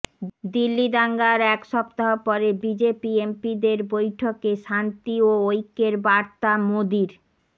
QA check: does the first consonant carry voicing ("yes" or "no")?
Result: yes